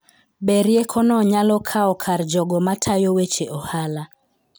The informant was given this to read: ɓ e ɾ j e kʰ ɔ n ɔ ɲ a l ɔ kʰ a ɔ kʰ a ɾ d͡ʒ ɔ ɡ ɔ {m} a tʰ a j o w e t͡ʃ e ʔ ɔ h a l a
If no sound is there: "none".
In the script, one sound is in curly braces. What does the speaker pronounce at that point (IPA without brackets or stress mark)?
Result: m